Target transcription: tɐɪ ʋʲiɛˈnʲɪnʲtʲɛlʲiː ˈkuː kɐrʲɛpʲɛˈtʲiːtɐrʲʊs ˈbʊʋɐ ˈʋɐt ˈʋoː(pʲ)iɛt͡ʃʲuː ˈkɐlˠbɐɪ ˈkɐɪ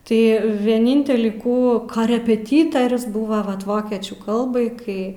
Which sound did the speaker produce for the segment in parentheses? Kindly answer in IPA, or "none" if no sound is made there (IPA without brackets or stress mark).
kʲ